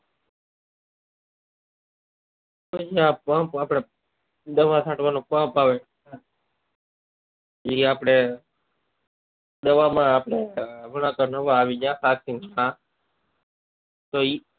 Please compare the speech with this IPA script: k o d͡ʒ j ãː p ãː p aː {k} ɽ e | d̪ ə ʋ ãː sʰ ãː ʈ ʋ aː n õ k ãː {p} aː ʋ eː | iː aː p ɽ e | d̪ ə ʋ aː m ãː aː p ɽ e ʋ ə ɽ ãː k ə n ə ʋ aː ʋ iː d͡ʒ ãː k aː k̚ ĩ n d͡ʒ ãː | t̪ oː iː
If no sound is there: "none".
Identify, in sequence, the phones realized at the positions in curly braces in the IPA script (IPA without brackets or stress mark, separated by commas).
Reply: p, p